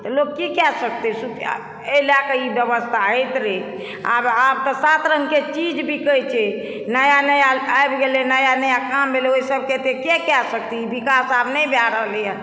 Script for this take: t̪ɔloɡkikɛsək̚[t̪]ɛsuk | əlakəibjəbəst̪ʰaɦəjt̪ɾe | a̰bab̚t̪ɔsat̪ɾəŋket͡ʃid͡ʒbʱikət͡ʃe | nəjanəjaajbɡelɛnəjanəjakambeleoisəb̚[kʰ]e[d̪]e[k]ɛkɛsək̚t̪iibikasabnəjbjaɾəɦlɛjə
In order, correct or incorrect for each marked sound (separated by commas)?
correct, incorrect, incorrect, correct